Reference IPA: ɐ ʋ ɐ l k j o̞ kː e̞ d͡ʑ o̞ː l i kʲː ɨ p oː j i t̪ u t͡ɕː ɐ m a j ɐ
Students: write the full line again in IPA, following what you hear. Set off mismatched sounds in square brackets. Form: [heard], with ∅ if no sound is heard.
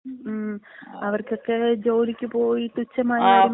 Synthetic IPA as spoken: ɐ ʋ ɐ [r] k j o̞ kː e̞ d͡ʑ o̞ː l i kʲː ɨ p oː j i t̪ u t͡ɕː ɐ m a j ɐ